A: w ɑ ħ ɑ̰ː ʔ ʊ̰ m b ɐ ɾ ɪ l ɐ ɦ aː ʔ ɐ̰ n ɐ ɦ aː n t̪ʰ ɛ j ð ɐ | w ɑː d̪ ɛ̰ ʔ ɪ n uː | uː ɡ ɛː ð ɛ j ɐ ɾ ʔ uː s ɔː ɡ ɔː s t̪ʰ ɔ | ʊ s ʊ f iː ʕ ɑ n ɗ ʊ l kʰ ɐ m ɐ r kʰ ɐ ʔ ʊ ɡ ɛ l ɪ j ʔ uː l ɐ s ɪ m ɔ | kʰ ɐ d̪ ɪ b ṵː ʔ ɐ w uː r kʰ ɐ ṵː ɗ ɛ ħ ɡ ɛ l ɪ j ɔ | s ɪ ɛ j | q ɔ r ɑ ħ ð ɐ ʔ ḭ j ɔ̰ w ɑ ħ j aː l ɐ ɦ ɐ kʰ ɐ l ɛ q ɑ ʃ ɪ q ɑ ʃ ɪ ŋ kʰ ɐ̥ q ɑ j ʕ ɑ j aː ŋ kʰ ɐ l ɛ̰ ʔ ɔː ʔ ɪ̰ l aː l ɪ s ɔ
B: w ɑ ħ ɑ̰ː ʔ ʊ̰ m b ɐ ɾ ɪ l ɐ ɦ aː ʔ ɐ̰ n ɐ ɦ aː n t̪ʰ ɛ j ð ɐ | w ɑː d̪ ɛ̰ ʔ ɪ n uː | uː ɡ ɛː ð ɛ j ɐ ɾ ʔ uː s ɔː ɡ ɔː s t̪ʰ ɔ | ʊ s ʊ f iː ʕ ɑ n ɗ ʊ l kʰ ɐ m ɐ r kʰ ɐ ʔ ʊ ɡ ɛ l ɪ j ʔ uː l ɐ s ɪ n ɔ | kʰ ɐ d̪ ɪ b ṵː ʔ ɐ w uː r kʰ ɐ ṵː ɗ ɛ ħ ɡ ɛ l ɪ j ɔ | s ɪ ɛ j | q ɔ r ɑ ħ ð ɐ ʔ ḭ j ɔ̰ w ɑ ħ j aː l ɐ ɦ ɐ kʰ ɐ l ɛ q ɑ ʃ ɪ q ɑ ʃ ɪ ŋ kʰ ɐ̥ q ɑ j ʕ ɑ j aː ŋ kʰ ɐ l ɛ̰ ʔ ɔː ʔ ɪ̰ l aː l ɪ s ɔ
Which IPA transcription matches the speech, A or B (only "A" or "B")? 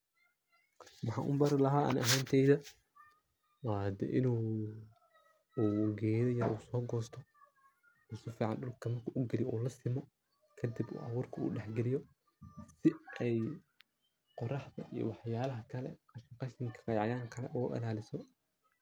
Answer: A